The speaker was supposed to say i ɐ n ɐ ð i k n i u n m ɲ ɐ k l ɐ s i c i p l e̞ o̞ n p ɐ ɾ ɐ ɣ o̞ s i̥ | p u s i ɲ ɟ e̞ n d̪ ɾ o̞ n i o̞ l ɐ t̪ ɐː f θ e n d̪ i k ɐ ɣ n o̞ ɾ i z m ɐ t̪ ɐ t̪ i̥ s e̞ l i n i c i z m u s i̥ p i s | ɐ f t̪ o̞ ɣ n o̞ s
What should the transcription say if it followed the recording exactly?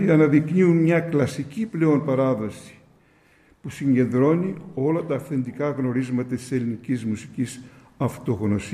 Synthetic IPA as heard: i ɐ n ɐ ð i k n i u n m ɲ ɐ k l ɐ s i c i p l e̞ o̞ n p ɐ ɾ ɐ ð o̞ s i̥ | p u s i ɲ ɟ e̞ n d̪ ɾ o̞ n i o̞ l ɐ t̪ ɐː f θ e n d̪ i k ɐ ɣ n o̞ ɾ i z m ɐ t̪ ɐ t̪ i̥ s e̞ l i n i c i z m u s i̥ c i s | ɐ f t̪ o̞ ɣ n o̞ s